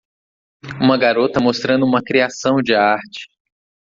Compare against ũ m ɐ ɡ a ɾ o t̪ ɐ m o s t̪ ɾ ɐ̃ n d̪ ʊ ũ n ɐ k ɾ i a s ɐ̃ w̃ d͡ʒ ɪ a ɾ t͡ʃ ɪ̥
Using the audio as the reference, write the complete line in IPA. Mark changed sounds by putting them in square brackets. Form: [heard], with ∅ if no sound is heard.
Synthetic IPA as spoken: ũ m ɐ ɡ a ɾ o t̪ ɐ m o s t̪ ɾ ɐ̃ n d̪ ʊ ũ [m] ɐ k ɾ i a s ɐ̃ w̃ d͡ʒ ɪ a ɾ t͡ʃ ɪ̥